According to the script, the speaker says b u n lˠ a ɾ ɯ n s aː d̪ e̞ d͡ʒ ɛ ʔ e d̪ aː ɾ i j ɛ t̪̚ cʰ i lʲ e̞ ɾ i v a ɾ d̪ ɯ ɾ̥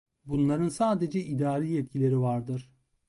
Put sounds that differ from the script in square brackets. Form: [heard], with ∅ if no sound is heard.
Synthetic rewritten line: b u n lˠ a ɾ ɯ n s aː d̪ e̞ d͡ʒ ɛ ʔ [i] d̪ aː ɾ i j ɛ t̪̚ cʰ i lʲ e̞ ɾ i v a ɾ d̪ ɯ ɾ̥

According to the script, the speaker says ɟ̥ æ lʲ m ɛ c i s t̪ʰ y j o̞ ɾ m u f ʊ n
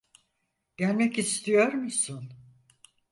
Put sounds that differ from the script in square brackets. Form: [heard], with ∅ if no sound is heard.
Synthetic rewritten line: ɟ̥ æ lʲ m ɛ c i s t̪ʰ [i] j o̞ ɾ m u [s] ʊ n

